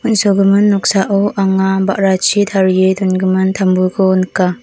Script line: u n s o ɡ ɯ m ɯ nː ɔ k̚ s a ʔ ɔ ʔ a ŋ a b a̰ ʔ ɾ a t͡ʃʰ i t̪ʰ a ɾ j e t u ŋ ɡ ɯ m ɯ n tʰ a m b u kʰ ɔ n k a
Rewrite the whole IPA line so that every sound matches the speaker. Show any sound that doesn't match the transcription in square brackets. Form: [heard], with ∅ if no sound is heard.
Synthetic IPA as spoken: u n s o ɡ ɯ m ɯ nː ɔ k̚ s a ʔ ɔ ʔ a ŋ a b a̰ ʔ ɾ a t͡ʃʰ i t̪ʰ a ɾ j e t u [n] ɡ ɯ m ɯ n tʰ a m b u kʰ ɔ n k a